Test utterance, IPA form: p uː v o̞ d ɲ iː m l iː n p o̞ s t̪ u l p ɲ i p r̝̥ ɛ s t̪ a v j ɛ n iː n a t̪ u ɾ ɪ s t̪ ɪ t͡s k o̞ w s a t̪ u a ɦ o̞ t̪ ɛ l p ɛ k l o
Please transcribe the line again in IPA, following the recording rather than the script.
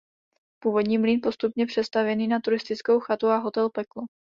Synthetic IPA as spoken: p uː v o̞ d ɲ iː m l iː n p o̞ s t̪ u p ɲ ɛ p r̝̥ ɛ s t̪ a v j ɛ n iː n a t̪ u ɾ ɪ s t̪ ɪ t͡s k o̞ w x a t̪ u a ɦ o̞ t̪ ɛ l p ɛ k l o